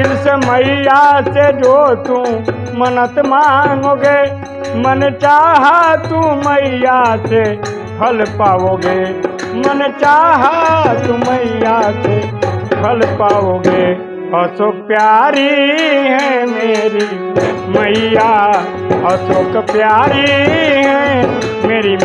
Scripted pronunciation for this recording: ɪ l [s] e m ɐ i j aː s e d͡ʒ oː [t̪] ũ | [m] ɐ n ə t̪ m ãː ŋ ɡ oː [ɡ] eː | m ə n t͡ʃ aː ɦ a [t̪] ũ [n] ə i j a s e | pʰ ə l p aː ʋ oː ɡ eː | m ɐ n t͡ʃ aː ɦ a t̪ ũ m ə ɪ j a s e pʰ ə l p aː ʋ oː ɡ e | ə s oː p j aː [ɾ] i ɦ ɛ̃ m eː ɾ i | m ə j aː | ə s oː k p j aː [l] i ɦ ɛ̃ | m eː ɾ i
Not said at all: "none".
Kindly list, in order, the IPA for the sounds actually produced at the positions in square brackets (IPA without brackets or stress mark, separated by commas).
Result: s, t̪, m, ɡ, t̪, m, ɾ, ɾ